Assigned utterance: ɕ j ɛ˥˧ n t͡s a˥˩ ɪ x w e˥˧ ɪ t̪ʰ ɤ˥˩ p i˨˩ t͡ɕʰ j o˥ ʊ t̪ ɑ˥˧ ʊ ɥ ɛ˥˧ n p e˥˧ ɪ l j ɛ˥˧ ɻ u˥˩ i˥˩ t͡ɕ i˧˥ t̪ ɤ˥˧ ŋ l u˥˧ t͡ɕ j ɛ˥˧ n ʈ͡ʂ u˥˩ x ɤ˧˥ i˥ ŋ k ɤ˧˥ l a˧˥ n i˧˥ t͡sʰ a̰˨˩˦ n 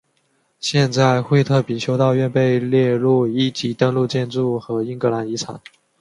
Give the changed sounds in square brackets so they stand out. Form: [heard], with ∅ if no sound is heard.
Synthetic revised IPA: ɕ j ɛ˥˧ n t͡s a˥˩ ɪ x w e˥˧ ɪ t̪ʰ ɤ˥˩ p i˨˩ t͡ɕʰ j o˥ ʊ t̪ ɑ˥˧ ʊ ɥ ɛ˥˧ n p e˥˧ ɪ l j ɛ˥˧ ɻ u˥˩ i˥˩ t͡ɕ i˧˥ t̪ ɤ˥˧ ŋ l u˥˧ t͡ɕ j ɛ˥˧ n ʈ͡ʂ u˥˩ x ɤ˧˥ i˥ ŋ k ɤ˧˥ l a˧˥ n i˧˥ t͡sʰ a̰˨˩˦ n